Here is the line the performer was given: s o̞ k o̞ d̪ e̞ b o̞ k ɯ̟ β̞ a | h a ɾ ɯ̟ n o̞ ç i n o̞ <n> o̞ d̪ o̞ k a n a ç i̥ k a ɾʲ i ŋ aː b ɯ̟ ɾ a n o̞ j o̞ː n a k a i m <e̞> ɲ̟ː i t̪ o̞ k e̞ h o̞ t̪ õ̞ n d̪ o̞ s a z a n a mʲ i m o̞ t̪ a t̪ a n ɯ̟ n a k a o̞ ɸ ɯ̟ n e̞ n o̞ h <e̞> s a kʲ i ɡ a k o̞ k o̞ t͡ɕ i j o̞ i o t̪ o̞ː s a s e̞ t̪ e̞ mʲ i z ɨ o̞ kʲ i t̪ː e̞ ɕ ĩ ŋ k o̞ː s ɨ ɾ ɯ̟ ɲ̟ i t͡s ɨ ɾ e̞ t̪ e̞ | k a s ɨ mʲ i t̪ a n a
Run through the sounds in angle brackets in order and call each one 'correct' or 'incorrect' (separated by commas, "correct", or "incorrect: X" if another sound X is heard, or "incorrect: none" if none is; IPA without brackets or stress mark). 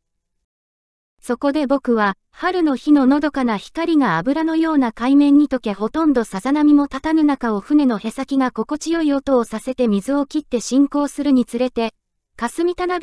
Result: correct, incorrect: ẽ̞, correct